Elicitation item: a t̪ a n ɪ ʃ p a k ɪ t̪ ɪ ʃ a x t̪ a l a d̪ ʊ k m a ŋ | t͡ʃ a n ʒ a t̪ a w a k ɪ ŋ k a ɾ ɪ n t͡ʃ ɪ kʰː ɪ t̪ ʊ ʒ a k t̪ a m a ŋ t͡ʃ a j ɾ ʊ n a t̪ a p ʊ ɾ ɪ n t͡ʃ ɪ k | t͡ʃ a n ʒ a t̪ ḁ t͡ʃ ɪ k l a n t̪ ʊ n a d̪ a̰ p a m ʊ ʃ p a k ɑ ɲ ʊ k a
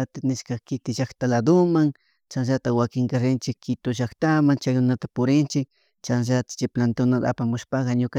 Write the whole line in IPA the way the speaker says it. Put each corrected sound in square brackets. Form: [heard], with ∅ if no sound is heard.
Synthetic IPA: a t̪ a n ɪ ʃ [k] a k ɪ t̪ ɪ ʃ a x t̪ a l a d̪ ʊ [∅] m a ŋ | t͡ʃ a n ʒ a t̪ a w a k ɪ ŋ k a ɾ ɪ n t͡ʃ ɪ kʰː ɪ t̪ ʊ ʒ a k t̪ a m a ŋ t͡ʃ a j ɾ ʊ n a t̪ a p ʊ ɾ ɪ n t͡ʃ ɪ k | t͡ʃ a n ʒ a t̪ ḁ t͡ʃ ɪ [p] l a n t̪ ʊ n a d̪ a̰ p a m ʊ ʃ p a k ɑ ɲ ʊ k a

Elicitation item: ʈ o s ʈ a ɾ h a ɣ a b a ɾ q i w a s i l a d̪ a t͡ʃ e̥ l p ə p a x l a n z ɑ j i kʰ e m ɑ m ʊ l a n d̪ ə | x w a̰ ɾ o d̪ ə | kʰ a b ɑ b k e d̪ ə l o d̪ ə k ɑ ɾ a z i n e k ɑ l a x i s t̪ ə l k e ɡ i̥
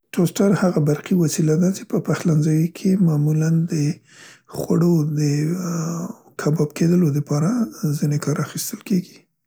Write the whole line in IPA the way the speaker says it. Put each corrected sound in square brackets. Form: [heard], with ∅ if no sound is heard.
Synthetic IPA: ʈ o s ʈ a ɾ h a ɣ a b a ɾ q i w a s i l a d̪ a t͡ʃ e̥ [∅] p ə p a x l a n z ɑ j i kʰ e m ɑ m [u] l a n d̪ ə | x w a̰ [ɽ] o d̪ ə | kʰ a b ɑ b k e d̪ ə l o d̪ ə [p] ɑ ɾ a z i n e k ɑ [ɾ] a x i s t̪ ə l k e ɡ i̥

